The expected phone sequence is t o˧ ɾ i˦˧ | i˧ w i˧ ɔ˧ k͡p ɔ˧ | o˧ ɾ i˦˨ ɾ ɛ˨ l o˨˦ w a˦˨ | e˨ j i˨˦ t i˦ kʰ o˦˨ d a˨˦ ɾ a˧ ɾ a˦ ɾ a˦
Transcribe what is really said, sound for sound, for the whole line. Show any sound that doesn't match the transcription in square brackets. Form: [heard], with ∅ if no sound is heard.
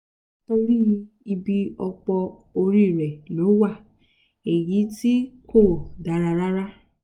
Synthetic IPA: t o˧ ɾ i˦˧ | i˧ [b] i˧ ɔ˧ k͡p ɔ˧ | o˧ ɾ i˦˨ ɾ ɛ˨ l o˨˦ w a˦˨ | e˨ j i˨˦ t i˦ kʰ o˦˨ d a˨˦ ɾ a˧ ɾ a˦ ɾ a˦